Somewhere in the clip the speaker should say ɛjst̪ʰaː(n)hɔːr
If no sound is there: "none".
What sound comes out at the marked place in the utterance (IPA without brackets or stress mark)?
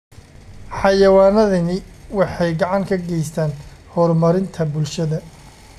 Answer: n